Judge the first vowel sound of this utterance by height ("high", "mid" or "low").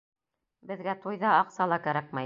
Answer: mid